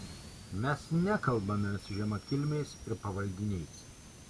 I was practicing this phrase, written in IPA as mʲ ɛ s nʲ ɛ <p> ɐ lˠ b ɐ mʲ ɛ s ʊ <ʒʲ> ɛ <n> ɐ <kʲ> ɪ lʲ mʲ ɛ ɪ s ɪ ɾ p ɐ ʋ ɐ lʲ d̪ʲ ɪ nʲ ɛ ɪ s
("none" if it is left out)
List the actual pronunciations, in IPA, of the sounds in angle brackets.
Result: k, ʒʲ, m, kʲ

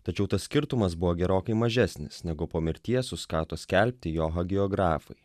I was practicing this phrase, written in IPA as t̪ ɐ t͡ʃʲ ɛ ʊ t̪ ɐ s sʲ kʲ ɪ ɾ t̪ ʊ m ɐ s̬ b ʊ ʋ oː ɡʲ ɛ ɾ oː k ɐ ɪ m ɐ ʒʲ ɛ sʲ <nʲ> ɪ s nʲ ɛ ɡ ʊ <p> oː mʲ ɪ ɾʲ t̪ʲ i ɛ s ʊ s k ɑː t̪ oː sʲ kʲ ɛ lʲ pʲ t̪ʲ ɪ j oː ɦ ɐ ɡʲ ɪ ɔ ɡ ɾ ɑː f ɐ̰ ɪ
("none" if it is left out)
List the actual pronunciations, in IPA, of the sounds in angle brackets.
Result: nʲ, p

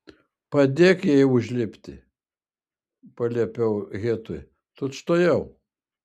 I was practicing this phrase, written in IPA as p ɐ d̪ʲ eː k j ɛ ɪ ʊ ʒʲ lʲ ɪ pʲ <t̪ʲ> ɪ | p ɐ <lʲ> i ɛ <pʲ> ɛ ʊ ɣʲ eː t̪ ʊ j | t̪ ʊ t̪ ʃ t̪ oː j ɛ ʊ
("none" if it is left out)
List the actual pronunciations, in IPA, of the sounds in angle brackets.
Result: t̪ʲ, lʲ, pʲ

